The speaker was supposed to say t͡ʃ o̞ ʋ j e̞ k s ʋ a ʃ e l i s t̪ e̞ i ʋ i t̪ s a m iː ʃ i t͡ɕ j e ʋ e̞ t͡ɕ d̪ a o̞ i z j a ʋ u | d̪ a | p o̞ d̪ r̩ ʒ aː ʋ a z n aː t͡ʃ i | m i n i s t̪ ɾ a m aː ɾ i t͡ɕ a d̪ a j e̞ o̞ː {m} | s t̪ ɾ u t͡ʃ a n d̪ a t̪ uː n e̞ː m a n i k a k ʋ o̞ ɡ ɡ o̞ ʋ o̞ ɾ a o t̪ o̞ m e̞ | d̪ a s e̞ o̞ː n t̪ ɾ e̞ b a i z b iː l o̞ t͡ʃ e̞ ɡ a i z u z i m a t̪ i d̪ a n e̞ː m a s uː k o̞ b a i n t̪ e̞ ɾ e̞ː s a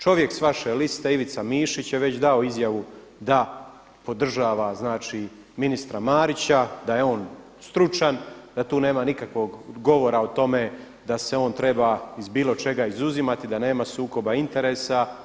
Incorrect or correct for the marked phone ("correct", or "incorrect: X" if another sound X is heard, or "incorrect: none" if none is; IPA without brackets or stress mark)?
incorrect: n